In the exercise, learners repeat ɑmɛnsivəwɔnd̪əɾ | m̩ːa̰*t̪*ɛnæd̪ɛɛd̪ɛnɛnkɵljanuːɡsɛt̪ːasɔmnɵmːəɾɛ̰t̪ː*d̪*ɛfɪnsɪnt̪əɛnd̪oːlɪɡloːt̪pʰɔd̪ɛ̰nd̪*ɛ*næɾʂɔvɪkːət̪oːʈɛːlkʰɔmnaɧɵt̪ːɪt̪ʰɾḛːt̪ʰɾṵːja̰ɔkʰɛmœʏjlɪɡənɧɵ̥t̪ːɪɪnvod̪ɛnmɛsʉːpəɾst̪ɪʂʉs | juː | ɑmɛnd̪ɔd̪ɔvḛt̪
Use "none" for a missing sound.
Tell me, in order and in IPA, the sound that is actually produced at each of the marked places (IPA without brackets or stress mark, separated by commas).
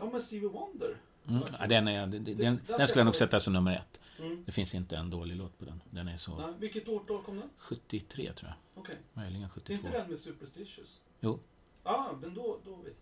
d̪, d̪, ɛ